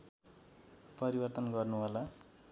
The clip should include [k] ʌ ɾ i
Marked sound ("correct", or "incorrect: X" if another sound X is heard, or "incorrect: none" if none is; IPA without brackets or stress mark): incorrect: p